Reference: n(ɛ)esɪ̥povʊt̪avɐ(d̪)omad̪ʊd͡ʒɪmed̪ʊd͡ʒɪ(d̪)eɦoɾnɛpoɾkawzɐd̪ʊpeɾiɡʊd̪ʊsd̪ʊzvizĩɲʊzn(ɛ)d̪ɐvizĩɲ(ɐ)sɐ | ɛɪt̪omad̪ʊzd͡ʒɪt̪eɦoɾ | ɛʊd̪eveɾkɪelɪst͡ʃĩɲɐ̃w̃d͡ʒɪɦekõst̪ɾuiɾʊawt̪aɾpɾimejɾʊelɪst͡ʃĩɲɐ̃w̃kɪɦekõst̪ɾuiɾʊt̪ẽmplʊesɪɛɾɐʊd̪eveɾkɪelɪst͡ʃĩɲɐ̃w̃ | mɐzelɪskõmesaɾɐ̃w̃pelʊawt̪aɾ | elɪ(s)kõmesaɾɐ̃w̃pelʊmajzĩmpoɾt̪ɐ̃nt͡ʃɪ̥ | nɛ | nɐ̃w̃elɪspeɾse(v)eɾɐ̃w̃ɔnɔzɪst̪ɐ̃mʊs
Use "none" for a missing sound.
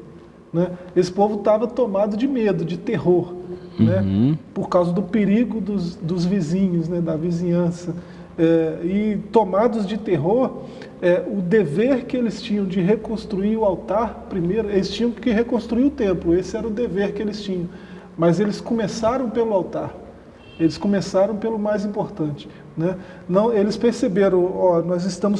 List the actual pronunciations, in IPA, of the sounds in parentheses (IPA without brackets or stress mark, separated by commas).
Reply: ɛ, t̪, t̪, ɛ, ɐ̃, s, b